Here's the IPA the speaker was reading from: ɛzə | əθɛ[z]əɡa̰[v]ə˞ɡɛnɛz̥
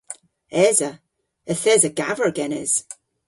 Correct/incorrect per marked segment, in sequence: correct, correct

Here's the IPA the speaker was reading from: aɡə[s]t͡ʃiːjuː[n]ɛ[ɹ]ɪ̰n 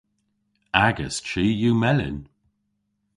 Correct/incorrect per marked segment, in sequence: correct, incorrect: m, incorrect: l

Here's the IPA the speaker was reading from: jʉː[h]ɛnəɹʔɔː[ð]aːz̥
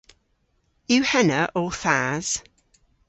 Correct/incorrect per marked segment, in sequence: correct, incorrect: θ

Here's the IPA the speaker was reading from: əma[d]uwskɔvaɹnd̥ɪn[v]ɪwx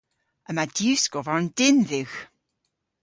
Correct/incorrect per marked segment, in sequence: correct, incorrect: ð

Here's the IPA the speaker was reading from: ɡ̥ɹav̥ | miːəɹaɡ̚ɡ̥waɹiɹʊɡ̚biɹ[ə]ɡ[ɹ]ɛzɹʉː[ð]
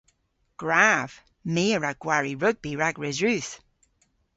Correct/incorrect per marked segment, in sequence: incorrect: a, correct, incorrect: θ

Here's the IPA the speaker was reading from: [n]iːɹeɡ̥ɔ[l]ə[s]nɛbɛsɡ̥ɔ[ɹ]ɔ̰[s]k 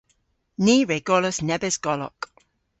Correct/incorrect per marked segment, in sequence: correct, correct, correct, incorrect: l, incorrect: none

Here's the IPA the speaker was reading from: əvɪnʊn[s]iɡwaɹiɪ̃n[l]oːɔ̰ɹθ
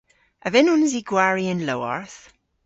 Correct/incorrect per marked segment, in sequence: incorrect: z, correct

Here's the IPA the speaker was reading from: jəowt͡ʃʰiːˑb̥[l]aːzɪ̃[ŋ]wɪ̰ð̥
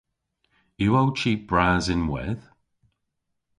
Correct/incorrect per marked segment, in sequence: incorrect: ɹ, incorrect: n

